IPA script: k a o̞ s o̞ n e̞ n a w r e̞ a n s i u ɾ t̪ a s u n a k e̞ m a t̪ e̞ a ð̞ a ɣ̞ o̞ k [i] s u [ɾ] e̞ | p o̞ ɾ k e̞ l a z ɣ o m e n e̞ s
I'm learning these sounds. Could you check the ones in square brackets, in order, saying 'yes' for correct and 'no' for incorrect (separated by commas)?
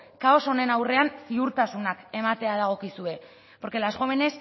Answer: yes, no